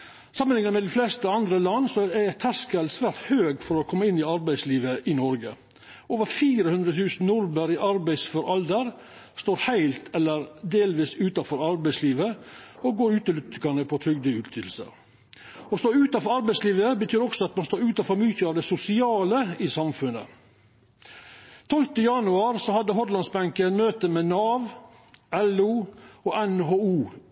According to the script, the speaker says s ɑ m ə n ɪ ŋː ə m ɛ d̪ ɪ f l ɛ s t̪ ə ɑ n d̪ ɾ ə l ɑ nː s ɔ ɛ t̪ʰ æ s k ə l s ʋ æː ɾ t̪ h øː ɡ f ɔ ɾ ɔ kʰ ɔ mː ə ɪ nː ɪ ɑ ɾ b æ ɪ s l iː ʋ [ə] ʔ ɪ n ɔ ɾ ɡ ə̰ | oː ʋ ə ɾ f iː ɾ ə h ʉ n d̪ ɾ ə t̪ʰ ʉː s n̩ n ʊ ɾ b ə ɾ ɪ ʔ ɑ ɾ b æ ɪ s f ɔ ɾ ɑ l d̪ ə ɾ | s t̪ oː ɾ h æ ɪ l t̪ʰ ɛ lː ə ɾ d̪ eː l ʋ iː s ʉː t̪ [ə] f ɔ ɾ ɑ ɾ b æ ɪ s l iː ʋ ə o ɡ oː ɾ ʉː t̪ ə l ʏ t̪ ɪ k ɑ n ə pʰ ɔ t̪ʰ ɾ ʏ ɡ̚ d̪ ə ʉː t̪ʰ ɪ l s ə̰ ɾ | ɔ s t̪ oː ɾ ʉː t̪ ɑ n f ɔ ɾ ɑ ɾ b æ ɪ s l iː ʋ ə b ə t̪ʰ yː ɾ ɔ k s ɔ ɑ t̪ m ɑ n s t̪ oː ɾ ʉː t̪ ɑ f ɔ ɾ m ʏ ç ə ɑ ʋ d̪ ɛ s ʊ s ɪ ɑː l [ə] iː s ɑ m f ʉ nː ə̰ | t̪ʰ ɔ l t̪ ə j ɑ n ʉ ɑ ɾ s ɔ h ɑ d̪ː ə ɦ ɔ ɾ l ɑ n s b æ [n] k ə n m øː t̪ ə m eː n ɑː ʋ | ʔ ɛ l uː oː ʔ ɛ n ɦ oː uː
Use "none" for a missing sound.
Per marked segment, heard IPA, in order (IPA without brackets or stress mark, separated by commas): ə, ɑ, ə, ŋ